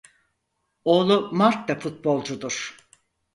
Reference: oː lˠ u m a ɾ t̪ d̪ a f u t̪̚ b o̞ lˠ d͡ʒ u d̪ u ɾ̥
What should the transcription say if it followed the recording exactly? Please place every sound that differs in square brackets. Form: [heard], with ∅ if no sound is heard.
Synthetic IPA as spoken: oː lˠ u m a ɾ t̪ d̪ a f u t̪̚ b o̞ lˠ d͡ʒ u d̪ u ɾ̥